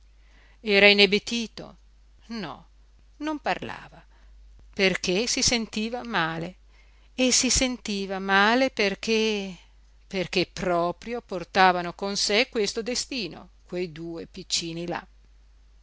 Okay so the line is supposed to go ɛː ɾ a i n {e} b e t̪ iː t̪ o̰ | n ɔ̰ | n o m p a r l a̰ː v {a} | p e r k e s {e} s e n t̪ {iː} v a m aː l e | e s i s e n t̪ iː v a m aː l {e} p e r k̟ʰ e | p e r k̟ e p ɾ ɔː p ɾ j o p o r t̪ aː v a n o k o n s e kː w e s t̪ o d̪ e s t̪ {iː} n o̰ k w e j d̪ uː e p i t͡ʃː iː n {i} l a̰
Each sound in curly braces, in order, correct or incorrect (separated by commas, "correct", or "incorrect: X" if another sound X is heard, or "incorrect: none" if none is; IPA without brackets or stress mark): correct, correct, incorrect: i, correct, correct, correct, correct